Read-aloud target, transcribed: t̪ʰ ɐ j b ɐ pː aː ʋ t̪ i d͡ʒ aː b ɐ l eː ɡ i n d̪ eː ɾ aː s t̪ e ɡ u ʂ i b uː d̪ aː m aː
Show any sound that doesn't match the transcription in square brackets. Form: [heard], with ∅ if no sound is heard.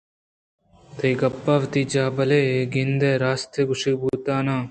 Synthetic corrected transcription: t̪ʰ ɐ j [ɡ] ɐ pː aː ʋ t̪ i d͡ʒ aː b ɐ l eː ɡ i n d̪ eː ɾ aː s t̪ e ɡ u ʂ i b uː [t̪] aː [n] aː